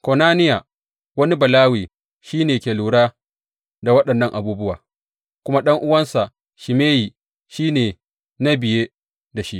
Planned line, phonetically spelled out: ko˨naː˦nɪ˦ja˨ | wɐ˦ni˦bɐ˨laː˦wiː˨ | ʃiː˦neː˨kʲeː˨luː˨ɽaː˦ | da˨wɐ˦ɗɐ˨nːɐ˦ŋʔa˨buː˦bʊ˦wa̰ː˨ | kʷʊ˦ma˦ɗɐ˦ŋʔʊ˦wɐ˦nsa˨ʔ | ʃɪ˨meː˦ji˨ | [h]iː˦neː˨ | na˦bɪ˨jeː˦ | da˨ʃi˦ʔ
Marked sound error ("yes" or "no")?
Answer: yes